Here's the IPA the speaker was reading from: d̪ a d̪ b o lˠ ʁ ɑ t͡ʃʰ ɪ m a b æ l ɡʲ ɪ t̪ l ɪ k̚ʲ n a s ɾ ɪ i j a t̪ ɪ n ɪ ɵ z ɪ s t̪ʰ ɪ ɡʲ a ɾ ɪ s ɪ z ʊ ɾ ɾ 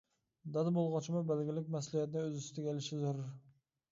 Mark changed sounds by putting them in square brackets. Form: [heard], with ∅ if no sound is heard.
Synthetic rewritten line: d̪ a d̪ b o lˠ ʁ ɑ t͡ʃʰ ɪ m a b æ l ɡʲ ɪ [∅] l ɪ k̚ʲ [m] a s [l] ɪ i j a t̪ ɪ n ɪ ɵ z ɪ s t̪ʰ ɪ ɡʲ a [l] ɪ [ʃ] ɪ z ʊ ɾ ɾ

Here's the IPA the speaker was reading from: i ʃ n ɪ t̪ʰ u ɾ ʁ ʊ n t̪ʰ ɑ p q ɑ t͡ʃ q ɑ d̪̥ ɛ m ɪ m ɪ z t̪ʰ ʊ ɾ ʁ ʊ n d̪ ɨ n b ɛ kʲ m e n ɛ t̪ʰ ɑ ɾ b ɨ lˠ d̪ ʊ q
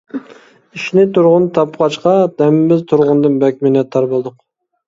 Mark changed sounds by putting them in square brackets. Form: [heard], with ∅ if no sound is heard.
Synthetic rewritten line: i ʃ n ɪ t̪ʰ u ɾ ʁ ʊ n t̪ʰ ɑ p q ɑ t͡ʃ q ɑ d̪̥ ɛ m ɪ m ɪ z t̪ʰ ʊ ɾ ʁ ʊ n d̪ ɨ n b ɛ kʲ m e n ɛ t̪ʰ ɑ ɾ b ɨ lˠ d̪ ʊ q

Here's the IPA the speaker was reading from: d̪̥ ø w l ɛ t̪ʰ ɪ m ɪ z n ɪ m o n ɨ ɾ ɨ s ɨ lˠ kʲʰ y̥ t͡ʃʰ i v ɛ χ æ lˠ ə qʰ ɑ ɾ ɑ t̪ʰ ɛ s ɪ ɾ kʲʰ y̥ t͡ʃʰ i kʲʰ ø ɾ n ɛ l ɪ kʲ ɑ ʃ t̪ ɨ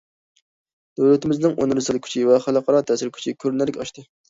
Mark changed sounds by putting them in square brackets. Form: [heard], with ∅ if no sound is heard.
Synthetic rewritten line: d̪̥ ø w l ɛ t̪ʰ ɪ m ɪ z n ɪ [ŋ] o n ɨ ɾ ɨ s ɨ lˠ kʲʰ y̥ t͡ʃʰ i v ɛ χ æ lˠ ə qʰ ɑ ɾ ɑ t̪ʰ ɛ s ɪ ɾ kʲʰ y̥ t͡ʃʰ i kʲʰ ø ɾ n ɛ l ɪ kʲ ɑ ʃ t̪ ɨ

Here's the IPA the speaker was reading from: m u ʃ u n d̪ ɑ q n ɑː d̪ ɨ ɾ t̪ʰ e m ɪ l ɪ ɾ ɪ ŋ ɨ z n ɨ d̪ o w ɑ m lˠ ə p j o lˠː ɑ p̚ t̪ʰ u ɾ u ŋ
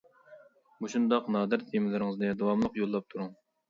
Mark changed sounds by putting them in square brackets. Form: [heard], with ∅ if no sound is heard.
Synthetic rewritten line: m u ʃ u n d̪ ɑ q n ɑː d̪ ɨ ɾ t̪ʰ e m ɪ l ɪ ɾ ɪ ŋ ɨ z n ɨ d̪ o w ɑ m lˠ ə [q] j o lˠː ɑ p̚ t̪ʰ u ɾ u ŋ

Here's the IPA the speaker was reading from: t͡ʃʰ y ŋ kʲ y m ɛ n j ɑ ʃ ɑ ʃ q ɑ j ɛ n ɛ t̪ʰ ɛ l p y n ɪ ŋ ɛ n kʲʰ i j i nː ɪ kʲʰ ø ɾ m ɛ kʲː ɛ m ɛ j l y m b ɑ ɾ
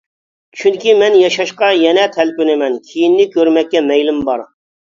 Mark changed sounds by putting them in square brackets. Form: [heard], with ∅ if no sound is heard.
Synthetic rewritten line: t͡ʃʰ y ŋ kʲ [i] m ɛ n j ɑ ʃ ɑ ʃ q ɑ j ɛ n ɛ t̪ʰ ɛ l p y n ɪ [m] ɛ n kʲʰ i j i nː ɪ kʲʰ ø ɾ m ɛ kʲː ɛ m ɛ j l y m b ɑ ɾ

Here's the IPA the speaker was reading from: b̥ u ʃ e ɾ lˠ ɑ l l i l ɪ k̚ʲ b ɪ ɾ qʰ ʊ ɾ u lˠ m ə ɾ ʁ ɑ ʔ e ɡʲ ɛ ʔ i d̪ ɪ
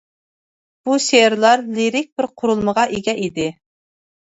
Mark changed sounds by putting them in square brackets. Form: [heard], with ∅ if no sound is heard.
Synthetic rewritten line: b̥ u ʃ e ɾ lˠ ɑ [ɾ] l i [ɾ] ɪ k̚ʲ b ɪ ɾ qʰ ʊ ɾ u lˠ m ə [∅] ʁ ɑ ʔ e ɡʲ ɛ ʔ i d̪ ɪ

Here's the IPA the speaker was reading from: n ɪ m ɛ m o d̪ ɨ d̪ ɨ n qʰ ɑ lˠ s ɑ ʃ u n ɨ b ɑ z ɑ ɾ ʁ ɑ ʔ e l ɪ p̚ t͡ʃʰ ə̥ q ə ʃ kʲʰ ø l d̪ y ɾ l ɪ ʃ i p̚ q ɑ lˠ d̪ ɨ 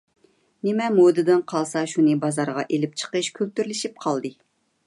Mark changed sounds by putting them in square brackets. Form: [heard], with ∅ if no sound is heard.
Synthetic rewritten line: n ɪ m ɛ m o d̪ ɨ d̪ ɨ n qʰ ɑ lˠ s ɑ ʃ u n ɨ b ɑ z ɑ ɾ ʁ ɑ ʔ e l ɪ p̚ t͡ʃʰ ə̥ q ə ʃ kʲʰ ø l [t̪] y ɾ l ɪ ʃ i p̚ [qʰ] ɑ lˠ d̪ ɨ

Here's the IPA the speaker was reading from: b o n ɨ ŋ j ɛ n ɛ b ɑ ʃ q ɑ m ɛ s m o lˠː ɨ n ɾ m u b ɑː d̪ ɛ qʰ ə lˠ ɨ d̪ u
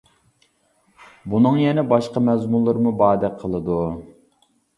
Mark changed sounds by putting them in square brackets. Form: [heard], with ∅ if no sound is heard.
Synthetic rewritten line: b [u] n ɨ ŋ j ɛ n ɛ b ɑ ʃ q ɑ m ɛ [z] m [u] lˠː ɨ [∅] ɾ m u b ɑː d̪ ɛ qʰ ə lˠ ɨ d̪ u

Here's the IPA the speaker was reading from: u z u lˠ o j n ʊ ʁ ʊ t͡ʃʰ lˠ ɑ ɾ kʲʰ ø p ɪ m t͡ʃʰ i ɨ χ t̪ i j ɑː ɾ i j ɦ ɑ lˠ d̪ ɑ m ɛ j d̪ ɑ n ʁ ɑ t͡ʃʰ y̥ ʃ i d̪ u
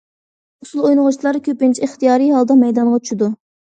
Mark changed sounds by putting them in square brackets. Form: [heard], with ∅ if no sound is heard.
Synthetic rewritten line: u [s] u lˠ o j n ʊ ʁ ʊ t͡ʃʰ lˠ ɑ ɾ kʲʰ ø p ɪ [n] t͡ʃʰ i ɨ χ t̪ i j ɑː ɾ i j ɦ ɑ lˠ d̪ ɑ m ɛ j d̪ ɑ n ʁ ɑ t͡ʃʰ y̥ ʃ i d̪ u

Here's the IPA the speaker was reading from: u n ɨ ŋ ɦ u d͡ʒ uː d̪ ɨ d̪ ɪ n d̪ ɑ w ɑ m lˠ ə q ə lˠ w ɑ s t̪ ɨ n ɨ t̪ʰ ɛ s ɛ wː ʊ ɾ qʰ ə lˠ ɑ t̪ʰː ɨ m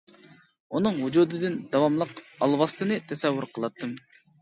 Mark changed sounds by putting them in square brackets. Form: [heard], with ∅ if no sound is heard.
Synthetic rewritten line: u n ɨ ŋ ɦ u d͡ʒ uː d̪ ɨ d̪ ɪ n d̪ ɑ w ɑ m lˠ ə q [ɑ] lˠ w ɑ s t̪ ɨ n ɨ t̪ʰ ɛ s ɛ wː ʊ ɾ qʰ ə lˠ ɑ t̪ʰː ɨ m

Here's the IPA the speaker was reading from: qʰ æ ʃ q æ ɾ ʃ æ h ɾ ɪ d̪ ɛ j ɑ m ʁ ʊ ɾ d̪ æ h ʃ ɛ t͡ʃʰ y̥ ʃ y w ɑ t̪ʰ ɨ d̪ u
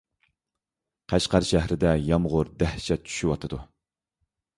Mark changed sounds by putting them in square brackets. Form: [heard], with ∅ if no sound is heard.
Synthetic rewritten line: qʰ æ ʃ q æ ɾ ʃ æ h ɾ ɪ d̪ ɛ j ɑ m ʁ ʊ ɾ d̪ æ h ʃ ɛ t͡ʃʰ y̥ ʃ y w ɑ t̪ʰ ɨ d̪ u

